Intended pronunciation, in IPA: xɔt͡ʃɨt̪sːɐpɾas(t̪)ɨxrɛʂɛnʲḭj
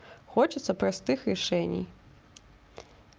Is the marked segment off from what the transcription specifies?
no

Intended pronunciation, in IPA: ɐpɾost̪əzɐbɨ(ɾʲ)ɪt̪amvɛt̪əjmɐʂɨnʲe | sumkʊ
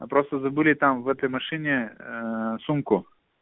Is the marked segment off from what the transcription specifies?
yes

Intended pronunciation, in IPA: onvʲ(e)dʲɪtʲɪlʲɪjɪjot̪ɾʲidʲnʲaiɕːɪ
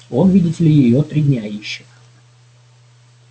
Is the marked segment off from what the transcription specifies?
yes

